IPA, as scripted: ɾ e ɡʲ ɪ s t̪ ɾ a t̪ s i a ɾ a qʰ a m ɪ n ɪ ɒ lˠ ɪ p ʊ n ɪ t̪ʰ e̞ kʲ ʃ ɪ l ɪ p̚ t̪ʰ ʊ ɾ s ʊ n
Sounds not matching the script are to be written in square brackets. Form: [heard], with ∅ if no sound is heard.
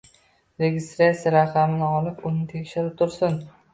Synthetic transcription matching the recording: ɾ e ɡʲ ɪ s t̪ ɾ a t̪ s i a ɾ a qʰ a m ɪ n ɪ ɒ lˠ ɪ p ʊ n ɪ t̪ʰ e̞ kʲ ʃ ɪ [ɾ] ɪ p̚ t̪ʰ ʊ ɾ s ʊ n